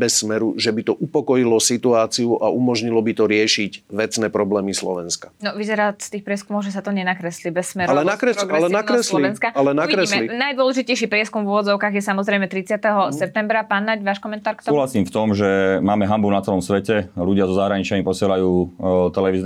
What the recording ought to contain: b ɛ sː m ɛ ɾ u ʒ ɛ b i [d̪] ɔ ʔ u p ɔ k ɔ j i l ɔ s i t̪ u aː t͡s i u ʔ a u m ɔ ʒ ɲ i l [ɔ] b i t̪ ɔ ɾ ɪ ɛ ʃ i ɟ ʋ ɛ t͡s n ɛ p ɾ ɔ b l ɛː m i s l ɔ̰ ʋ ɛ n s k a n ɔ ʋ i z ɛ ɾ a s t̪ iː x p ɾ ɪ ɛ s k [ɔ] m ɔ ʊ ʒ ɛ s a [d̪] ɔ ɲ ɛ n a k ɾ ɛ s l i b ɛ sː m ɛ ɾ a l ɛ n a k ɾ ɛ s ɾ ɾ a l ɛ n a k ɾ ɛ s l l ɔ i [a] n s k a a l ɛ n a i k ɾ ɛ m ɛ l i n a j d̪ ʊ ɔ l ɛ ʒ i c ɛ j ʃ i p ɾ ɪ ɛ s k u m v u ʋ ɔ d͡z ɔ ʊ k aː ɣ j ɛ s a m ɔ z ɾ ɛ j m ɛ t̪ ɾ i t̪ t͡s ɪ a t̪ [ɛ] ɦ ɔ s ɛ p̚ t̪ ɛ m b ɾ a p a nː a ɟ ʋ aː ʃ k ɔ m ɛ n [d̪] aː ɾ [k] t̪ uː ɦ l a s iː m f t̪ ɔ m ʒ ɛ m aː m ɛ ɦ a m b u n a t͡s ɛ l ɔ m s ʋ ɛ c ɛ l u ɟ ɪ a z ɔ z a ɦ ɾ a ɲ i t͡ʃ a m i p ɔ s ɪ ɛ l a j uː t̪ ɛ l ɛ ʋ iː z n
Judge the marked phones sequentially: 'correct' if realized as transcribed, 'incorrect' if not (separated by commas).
incorrect, correct, incorrect, incorrect, incorrect, correct, incorrect, correct